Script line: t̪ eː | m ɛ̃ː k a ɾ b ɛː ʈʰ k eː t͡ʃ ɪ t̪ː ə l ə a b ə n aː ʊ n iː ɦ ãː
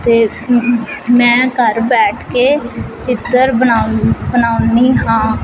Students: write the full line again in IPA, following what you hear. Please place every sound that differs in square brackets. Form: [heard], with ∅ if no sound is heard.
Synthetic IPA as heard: t̪ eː | m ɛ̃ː k [ə] ɾ b ɛː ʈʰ k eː t͡ʃ ɪ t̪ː ə [ɾ] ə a b ə n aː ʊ n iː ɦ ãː